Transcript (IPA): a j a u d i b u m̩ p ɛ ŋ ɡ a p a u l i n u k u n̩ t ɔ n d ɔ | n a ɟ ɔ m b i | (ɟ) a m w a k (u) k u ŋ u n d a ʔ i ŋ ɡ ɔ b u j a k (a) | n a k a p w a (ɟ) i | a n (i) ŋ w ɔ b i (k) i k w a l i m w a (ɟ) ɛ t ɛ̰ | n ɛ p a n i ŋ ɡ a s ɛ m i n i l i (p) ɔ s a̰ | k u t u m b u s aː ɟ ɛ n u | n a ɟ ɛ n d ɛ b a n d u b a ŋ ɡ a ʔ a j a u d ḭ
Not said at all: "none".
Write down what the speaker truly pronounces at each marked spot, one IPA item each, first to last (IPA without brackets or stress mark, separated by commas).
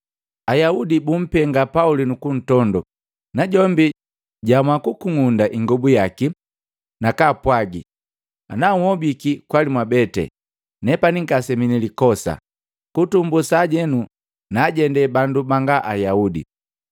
ɟ, u, i, ɡ, a, k, b, k